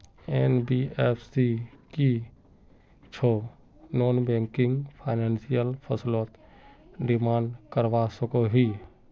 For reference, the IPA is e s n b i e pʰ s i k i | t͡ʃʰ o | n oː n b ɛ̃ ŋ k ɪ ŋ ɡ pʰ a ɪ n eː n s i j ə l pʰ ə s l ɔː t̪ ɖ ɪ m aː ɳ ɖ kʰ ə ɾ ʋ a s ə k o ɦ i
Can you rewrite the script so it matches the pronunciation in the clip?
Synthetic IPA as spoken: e n b i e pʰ s i k i | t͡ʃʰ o | n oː n b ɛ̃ ŋ k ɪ ŋ ɡ pʰ a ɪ n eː n s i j ə l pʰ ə s l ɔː t̪ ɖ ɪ m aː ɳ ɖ k ə ɾ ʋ a s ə k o ɦ i